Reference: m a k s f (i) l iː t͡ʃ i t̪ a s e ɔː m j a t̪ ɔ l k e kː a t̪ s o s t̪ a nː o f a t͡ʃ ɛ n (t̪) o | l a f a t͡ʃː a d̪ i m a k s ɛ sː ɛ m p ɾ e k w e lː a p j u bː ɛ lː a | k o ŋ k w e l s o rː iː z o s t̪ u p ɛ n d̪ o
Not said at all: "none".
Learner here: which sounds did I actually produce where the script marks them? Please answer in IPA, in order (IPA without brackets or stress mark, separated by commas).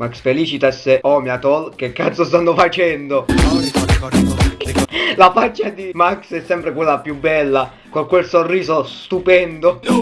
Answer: e, d̪